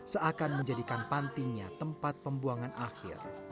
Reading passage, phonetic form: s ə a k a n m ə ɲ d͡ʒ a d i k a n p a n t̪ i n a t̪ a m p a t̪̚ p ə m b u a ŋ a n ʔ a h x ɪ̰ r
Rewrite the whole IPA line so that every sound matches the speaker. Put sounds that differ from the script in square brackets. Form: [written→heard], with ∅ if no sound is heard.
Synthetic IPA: s ə a k a n m ə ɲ d͡ʒ a d i k a n p a n t̪ i [n→ɲ] a t̪ [a→ə] m p a t̪̚ p ə m b u a ŋ a n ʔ a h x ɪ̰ r